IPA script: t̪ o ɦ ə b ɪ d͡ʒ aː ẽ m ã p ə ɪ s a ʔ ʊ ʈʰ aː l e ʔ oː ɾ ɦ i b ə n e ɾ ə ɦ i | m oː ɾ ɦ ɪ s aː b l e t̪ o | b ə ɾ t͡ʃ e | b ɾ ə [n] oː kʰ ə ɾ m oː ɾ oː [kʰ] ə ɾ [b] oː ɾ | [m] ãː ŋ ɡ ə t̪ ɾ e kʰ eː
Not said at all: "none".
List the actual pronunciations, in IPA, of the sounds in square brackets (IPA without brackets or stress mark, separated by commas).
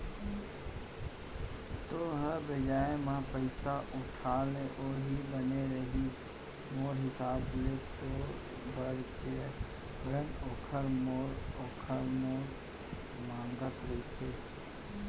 n, kʰ, m, m